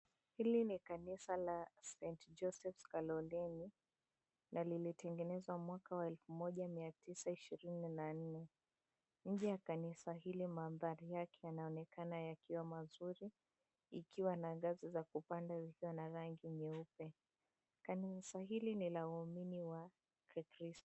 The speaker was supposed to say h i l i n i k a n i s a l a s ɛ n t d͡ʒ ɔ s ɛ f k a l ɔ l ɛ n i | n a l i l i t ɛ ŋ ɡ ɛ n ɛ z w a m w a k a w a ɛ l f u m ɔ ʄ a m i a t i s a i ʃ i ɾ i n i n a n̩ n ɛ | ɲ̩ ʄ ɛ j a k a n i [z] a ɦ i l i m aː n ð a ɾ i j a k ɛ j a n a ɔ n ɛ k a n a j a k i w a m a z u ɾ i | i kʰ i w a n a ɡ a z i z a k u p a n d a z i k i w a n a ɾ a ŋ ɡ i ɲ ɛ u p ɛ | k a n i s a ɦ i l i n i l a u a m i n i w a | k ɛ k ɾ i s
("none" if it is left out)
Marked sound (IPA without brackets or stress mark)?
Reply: s